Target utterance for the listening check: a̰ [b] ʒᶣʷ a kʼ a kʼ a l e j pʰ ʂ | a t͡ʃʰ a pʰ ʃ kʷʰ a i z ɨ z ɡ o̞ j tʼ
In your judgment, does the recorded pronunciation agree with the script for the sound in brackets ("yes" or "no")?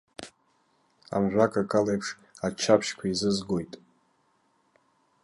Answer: no